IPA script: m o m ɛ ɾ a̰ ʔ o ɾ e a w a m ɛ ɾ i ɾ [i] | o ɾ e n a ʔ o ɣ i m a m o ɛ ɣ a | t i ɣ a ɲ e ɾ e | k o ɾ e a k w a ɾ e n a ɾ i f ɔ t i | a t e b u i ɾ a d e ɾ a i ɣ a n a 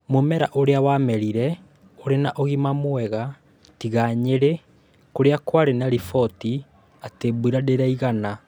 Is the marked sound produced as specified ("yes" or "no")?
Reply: no